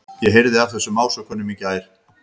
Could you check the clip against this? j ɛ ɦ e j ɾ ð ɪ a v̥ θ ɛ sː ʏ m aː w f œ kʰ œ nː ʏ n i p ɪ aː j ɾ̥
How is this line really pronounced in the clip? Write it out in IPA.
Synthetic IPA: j ɛ ɦ e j ɾ ð ɪ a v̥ θ ɛ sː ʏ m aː w s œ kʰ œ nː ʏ m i c ɪ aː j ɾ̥